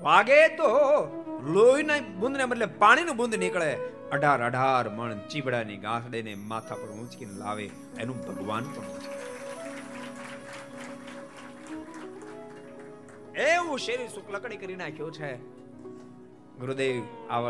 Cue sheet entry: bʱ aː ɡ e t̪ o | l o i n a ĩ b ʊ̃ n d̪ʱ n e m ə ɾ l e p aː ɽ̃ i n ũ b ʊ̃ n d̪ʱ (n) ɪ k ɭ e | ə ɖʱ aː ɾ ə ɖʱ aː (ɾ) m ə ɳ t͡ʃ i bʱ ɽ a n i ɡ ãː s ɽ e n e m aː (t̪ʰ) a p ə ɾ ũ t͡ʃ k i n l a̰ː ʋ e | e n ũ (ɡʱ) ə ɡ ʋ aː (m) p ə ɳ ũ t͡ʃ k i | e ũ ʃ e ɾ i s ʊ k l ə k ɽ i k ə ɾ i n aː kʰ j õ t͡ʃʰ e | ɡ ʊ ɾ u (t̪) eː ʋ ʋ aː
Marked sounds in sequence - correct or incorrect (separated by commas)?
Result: correct, correct, correct, incorrect, incorrect, incorrect